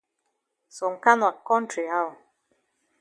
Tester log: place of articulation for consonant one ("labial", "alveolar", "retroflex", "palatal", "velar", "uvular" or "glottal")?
alveolar